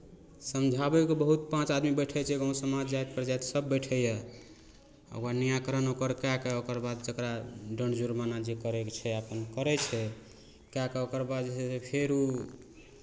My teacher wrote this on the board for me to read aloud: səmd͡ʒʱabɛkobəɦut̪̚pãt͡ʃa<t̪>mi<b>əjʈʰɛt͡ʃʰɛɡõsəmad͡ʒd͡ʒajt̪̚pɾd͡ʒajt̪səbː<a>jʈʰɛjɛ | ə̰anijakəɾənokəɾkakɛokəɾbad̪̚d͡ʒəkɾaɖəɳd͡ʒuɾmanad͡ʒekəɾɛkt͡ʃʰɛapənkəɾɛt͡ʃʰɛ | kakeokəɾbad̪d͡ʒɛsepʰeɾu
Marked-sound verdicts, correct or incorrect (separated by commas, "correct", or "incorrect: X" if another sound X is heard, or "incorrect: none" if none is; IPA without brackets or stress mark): incorrect: d̪, correct, incorrect: ə